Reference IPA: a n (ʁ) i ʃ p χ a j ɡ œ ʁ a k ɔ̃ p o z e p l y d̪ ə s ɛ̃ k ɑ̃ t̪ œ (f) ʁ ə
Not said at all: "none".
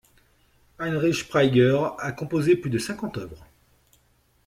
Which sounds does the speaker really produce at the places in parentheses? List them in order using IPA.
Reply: ʁ, v

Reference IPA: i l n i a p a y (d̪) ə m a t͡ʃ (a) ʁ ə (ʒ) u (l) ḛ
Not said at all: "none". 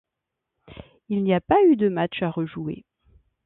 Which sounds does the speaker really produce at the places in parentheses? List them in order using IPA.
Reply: d̪, a, ʒ, none

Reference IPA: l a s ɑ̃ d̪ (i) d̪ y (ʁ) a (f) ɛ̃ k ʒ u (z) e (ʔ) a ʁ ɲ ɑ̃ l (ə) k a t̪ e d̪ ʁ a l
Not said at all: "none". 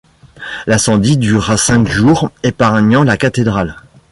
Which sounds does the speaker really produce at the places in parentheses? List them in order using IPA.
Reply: i, ʁ, s, ʁ, p, a

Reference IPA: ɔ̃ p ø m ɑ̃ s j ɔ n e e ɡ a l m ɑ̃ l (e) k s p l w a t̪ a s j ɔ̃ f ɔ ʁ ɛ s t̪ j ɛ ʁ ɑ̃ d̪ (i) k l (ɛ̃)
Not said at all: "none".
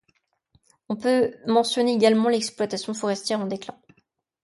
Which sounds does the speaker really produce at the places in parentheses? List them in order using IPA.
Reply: ɛ, e, ɛ̃

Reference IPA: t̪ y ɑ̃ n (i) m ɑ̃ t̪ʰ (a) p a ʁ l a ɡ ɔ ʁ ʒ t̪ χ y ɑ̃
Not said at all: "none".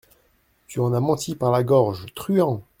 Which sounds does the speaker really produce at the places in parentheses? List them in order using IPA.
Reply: a, i

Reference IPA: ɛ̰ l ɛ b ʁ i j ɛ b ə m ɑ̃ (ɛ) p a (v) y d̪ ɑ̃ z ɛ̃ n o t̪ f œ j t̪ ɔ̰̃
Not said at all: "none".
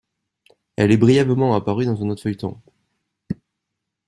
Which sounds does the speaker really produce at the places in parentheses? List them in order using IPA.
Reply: a, ʁ

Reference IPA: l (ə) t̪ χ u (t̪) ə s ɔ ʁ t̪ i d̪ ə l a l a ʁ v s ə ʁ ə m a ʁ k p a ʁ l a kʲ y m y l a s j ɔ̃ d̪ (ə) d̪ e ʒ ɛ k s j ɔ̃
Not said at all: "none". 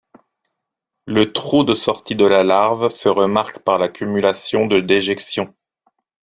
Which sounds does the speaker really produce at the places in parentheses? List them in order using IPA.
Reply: ə, d̪, ə

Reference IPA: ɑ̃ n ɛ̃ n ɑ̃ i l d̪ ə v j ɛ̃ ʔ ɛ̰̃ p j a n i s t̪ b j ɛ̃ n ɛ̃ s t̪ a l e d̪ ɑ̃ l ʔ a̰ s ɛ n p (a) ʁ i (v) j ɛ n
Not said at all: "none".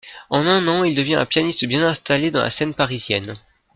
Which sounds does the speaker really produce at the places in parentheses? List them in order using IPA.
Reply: a, z

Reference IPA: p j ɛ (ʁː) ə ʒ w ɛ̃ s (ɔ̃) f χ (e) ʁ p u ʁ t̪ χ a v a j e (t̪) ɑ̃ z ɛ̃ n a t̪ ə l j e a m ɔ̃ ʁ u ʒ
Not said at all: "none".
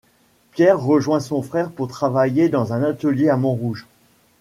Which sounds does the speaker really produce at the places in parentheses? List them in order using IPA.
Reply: ʁː, ɔ̃, ɛ, d̪

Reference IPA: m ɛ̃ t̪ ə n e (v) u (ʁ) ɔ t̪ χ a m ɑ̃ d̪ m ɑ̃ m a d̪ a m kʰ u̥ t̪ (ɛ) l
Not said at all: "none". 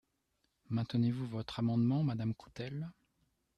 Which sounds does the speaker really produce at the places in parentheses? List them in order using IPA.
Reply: v, v, ɛ

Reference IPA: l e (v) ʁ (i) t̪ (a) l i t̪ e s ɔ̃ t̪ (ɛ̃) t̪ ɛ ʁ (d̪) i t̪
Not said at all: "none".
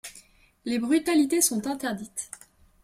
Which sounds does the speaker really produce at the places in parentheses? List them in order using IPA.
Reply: b, y, a, ɛ̃, d̪

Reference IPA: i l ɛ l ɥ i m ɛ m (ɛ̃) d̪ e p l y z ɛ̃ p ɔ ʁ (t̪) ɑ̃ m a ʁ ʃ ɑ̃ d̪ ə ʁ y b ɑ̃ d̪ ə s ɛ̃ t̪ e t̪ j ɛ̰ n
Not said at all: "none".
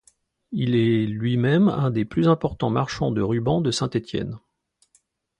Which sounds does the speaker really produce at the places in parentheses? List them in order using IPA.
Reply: ɛ̃, t̪

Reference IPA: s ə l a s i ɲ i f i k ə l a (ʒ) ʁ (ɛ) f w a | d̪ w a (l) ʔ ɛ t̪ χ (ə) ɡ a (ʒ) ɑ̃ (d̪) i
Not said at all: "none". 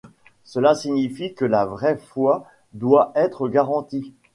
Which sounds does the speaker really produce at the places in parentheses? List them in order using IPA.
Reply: v, ɛ, none, ə, ʁ, t̪

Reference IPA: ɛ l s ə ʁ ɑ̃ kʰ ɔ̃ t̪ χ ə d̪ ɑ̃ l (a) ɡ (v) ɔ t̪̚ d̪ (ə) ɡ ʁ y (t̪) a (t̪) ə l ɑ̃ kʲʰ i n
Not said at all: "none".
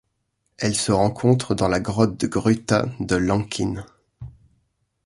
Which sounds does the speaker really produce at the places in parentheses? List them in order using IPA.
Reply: a, ʁ, ə, t̪, d̪

